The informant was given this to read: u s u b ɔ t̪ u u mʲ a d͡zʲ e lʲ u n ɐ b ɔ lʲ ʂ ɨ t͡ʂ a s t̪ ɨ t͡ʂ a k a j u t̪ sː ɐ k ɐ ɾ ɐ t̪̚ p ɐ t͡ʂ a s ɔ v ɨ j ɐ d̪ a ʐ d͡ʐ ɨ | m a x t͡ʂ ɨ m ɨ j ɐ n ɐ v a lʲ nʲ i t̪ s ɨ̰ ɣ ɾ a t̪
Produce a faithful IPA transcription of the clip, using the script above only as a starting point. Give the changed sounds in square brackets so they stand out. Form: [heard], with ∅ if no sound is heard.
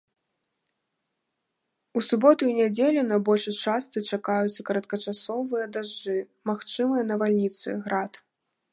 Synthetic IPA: u s u b ɔ t̪ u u [nʲ] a d͡zʲ e lʲ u n ɐ b ɔ lʲ ʂ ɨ t͡ʂ a s t̪ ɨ t͡ʂ a k a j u t̪ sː ɐ k ɐ ɾ ɐ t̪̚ [k] ɐ t͡ʂ a s ɔ v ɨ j ɐ d̪ a ʐ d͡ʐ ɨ | m a x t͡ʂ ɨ m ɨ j ɐ n ɐ v a lʲ nʲ i t̪ s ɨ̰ ɣ ɾ a t̪